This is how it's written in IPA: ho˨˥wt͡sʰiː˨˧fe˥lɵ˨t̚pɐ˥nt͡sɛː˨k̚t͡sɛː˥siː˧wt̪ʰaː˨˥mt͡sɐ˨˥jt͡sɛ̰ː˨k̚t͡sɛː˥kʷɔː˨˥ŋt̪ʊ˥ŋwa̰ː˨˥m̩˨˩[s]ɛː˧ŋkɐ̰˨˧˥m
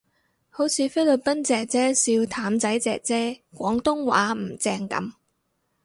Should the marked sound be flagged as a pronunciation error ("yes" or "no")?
yes